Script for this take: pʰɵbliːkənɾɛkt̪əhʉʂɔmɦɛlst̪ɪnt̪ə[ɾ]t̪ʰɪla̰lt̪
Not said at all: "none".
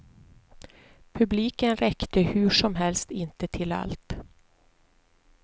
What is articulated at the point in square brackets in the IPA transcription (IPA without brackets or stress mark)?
none